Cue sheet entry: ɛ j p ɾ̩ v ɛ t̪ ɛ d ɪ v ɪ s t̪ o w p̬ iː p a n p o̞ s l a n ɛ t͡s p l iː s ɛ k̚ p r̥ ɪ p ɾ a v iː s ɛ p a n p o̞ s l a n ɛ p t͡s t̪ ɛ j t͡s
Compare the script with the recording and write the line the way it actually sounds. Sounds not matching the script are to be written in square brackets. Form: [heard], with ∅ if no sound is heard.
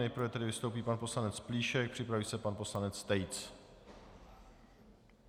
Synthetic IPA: ɛ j p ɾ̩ v ɛ t̪ ɛ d ɪ v ɪ s t̪ o w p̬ iː p a n p o̞ s l a n ɛ t͡s p l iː [ʃ] ɛ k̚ p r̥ ɪ p ɾ a v iː s ɛ p a n p o̞ s l a n ɛ [∅] t͡s t̪ ɛ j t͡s